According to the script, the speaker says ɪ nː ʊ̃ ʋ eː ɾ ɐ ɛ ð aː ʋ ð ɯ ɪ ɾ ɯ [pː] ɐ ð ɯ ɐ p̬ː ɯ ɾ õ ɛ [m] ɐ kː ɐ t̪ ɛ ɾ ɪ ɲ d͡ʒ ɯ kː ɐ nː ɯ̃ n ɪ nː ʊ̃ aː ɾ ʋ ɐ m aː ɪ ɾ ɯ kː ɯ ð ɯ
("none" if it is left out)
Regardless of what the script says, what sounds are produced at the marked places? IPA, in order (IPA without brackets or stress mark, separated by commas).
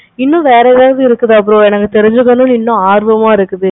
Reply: kː, n